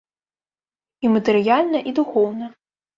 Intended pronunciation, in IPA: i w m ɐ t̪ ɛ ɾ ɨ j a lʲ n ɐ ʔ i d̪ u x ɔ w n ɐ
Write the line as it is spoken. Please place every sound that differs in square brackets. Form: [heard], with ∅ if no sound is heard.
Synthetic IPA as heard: i [∅] m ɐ t̪ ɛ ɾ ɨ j a lʲ n ɐ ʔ i d̪ u x ɔ w n ɐ